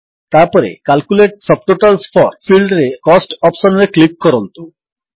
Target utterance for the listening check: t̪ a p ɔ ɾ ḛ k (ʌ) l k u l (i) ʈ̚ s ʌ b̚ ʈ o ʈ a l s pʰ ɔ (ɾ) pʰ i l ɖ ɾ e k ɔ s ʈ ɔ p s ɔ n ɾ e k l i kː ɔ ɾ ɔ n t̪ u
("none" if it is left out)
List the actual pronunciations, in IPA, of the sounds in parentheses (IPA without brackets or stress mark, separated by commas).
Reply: a, e, ɾ